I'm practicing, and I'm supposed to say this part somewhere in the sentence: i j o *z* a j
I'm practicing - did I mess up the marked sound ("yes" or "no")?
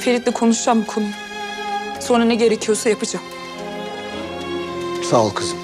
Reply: yes